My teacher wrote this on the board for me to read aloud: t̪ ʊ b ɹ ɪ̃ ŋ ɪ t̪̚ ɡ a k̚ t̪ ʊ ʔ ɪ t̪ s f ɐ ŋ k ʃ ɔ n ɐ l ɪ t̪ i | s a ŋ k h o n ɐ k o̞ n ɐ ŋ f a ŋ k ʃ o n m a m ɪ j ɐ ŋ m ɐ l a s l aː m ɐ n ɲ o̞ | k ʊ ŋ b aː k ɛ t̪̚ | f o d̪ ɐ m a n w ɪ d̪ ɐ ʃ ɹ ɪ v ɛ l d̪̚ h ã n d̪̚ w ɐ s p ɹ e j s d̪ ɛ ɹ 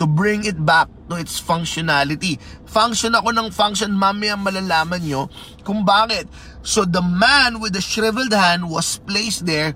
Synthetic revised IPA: t̪ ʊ b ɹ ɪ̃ ŋ ɪ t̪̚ b a k̚ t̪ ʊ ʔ ɪ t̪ s f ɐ ŋ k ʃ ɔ n a l ɪ t̪ i | f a ŋ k ʃ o n ɐ k o̞ n ɐ ŋ f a ŋ k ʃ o n m a m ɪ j ɐ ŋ m ɐ l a l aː m ɐ n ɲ o̞ | k ʊ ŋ b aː k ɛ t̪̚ | s o d̪ ɐ m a n w ɪ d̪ ɐ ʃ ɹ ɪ v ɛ l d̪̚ h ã n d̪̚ w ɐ s p l e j s d̪ ɛ ɹ